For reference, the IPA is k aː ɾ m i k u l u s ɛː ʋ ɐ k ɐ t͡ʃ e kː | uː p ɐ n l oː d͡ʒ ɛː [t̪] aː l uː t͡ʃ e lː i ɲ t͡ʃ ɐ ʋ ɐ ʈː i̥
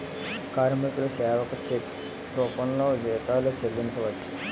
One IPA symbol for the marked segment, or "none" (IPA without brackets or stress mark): t̪